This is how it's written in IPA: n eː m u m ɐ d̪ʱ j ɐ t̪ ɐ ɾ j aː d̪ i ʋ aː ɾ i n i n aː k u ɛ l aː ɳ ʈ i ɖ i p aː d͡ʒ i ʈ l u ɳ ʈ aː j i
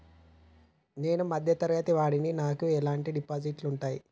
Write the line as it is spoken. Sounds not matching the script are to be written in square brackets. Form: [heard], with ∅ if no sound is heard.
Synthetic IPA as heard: n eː [n] u m ɐ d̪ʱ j ɐ t̪ ɐ ɾ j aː [t̪] i ʋ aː [ɽ] i n i n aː k u ɛ l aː ɳ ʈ i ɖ i p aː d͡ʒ i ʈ l u ɳ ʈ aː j i